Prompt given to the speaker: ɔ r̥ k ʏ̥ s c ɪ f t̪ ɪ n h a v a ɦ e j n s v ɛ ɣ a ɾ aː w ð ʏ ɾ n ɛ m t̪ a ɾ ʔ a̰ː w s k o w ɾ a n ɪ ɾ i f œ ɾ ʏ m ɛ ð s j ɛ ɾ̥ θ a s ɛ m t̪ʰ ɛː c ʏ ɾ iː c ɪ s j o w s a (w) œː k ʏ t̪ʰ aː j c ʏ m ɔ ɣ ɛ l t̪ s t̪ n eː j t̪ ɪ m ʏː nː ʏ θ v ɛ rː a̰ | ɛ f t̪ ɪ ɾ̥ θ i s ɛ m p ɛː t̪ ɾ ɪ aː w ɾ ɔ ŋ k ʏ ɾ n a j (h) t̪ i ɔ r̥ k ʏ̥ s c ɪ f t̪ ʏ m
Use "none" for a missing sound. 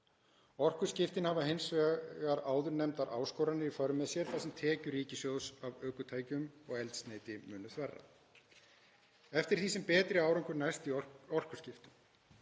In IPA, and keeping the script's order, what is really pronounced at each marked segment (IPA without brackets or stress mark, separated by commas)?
v, s